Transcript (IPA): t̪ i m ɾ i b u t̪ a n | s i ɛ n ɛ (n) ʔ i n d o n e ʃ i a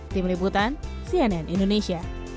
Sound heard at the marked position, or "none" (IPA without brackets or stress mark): n